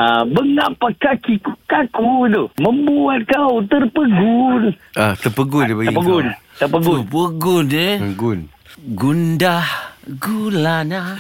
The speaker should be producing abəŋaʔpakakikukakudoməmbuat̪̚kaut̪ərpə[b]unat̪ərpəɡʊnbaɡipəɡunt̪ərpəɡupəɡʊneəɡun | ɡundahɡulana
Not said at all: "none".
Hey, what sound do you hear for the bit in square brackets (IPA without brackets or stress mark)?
ɡ